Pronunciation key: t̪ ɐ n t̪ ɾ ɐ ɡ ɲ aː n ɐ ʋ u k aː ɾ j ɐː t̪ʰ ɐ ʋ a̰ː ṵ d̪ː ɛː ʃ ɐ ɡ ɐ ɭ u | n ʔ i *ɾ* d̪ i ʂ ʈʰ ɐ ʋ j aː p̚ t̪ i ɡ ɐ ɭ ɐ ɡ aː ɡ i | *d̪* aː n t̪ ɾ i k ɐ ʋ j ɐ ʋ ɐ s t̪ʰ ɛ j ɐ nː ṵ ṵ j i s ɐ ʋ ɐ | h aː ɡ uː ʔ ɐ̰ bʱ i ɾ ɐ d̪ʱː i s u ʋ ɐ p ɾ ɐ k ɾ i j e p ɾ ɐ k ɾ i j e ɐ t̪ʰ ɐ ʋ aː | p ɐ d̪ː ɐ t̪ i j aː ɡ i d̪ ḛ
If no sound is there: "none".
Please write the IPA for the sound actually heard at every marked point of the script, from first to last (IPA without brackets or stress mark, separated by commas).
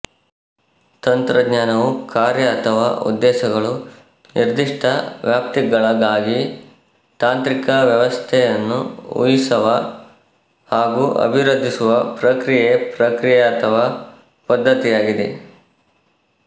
ɾ, t̪